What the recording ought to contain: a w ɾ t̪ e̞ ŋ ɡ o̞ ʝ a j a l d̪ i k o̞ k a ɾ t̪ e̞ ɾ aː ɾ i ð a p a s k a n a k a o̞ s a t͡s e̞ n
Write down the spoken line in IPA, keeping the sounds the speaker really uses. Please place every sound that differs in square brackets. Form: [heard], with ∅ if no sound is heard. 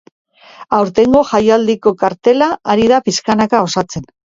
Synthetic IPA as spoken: a w ɾ t̪ e̞ ŋ ɡ o̞ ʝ a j a l d̪ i k o̞ k a ɾ t̪ e̞ [l] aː ɾ i ð a p [i] s k a n a k a o̞ s a t͡s e̞ n